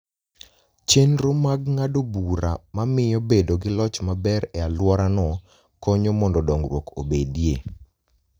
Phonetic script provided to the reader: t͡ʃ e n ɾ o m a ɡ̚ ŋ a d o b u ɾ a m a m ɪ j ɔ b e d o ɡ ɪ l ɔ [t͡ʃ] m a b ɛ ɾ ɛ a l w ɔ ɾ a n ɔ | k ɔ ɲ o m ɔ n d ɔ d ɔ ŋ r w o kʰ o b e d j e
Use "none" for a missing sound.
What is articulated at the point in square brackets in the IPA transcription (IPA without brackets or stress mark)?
t͡ʃ